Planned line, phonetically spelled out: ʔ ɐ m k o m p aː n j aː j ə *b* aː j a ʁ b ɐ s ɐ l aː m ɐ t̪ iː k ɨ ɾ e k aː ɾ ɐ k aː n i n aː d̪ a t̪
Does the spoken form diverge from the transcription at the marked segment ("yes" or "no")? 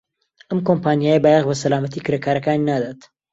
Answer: no